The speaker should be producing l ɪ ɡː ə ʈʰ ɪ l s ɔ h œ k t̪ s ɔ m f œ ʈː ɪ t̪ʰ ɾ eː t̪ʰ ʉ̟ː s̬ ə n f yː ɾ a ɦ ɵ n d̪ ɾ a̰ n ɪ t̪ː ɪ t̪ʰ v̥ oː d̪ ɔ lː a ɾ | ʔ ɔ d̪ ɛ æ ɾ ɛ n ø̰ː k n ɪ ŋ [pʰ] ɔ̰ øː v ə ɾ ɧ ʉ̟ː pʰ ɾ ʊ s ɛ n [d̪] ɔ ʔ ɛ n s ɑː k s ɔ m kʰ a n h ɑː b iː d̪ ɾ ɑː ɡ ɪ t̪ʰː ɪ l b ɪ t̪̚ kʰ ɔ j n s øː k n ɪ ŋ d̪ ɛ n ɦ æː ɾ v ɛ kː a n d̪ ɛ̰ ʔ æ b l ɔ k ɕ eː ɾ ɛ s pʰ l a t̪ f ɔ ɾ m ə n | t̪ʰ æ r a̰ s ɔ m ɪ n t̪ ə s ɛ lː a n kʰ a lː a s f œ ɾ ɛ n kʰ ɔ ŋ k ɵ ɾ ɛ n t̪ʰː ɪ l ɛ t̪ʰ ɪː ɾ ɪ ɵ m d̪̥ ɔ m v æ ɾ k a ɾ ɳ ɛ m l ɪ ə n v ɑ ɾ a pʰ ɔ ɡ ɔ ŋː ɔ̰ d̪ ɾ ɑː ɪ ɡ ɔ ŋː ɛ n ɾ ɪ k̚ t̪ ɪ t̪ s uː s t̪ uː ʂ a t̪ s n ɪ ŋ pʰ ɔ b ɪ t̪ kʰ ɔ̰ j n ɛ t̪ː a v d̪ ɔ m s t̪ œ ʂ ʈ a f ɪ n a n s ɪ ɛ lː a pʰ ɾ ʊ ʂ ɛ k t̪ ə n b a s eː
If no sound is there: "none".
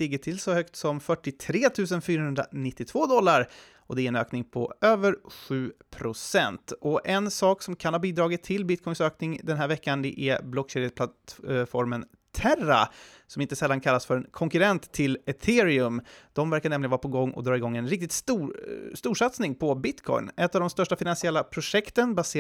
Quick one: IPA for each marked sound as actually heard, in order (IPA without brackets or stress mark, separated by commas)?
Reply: pʰ, t̪